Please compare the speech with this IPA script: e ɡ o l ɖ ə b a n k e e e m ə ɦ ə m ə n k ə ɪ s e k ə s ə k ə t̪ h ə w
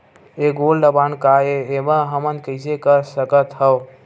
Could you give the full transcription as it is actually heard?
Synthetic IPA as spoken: e ɡ o l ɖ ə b a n k a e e m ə ɦ ə m ə n k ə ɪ s e k ə s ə k ə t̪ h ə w